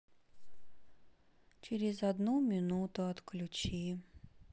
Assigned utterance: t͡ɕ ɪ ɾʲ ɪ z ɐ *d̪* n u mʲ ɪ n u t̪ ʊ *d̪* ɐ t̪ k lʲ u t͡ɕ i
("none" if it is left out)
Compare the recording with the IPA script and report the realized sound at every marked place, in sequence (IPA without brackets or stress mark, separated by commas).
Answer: d̪, none